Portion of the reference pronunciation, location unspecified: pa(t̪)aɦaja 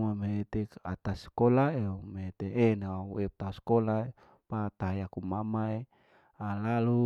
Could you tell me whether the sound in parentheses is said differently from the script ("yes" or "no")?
no